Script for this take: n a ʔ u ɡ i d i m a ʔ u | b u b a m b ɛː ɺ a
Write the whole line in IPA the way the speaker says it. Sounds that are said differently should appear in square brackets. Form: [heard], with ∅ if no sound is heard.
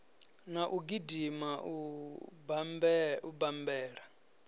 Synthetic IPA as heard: n a ʔ u ɡ i d i m a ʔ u | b u b a m b ɛː ɺ a